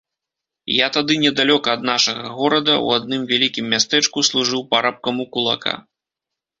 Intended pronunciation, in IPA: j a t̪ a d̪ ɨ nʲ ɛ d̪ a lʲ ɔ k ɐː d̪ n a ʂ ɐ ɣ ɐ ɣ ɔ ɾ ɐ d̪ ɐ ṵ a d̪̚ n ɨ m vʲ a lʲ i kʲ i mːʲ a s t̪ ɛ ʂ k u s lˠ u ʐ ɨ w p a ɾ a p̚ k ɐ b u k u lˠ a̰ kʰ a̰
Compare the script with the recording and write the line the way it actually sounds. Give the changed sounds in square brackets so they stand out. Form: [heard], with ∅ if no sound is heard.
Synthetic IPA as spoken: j a t̪ a d̪ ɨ nʲ ɛ d̪ a lʲ ɔ k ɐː d̪ n a ʂ ɐ ɣ ɐ ɣ ɔ ɾ ɐ d̪ ɐ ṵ a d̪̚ n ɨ m vʲ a lʲ i kʲ i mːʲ a s t̪ ɛ [t͡ʂ] k u s lˠ u ʐ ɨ w p a ɾ a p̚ k ɐ [m] u k u lˠ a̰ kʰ a̰